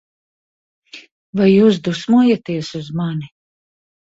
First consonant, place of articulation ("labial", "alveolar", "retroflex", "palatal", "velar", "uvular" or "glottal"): labial